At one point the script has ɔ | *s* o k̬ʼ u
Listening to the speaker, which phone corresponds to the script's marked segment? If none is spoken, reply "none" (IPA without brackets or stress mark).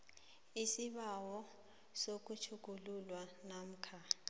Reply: s